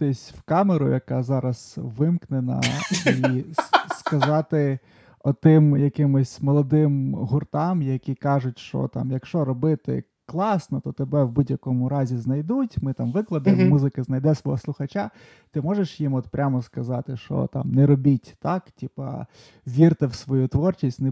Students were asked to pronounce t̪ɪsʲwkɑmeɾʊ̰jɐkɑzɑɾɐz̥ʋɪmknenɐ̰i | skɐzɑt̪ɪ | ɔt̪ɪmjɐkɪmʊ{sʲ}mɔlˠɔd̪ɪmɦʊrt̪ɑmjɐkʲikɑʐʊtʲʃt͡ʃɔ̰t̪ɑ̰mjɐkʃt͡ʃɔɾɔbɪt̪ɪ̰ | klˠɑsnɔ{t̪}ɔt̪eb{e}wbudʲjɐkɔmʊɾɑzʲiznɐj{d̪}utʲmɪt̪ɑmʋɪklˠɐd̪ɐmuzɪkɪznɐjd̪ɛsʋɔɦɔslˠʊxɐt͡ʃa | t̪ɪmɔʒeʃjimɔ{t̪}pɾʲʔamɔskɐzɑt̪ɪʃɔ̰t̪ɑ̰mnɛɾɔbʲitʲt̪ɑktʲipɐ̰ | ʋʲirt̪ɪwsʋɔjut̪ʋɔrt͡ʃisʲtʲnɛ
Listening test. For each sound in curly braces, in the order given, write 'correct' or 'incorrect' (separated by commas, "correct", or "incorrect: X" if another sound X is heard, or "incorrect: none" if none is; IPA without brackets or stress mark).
correct, correct, incorrect: ɛ, correct, correct